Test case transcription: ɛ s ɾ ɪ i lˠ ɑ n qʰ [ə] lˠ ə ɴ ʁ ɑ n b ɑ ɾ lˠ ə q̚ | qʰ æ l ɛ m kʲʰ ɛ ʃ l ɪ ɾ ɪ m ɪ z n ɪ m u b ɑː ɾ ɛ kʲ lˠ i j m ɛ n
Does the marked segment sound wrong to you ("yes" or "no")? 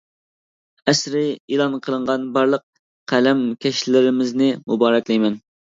no